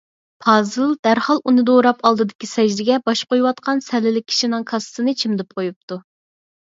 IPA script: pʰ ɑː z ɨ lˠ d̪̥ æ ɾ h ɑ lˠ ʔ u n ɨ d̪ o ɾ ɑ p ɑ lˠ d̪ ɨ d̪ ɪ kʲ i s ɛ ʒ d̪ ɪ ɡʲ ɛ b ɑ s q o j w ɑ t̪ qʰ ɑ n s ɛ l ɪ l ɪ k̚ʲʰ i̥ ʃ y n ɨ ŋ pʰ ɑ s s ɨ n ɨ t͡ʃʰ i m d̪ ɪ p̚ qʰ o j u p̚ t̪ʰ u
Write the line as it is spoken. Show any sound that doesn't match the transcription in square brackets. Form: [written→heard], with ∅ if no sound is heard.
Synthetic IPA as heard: pʰ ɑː z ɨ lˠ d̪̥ æ ɾ h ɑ lˠ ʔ u n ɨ d̪ o ɾ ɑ p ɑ lˠ d̪ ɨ d̪ ɪ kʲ i s ɛ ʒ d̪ ɪ ɡʲ ɛ b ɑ [s→ʃ] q o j w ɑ t̪ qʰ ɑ n s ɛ l ɪ l ɪ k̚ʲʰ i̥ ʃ [y→i] n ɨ ŋ [pʰ→kʰ] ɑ s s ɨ n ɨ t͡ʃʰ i m d̪ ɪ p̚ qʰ o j u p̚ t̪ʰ u